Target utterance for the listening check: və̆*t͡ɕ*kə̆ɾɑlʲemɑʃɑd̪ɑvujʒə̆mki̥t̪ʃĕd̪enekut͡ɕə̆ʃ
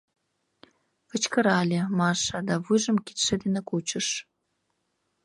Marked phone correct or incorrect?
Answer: correct